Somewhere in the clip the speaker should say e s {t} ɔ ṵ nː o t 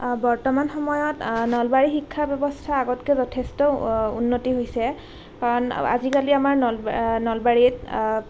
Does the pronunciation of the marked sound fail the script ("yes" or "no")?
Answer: no